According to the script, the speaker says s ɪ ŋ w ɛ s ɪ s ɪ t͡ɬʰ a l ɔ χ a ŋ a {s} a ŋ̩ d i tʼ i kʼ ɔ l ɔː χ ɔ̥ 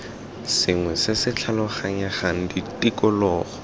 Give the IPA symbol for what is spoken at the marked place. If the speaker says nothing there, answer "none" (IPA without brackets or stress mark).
χ